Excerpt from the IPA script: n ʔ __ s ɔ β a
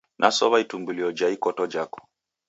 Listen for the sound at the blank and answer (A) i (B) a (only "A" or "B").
B